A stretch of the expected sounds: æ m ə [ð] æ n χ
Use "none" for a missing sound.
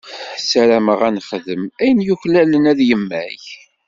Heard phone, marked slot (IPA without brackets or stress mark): ʁ